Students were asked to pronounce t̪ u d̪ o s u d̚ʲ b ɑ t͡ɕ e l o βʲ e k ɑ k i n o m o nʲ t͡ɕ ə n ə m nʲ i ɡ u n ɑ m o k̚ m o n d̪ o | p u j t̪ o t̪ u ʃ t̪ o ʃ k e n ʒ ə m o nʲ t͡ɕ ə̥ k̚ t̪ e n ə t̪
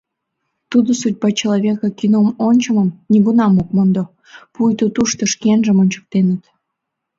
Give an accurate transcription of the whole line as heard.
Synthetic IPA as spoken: t̪ u d̪ o s u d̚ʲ b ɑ t͡ɕ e l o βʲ e k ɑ k i n o m o nʲ t͡ɕ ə m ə m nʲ i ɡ u n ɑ m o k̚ m o n d̪ o | p u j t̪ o t̪ u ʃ t̪ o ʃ k e n ʒ ə m o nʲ t͡ɕ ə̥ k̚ t̪ e n ə t̪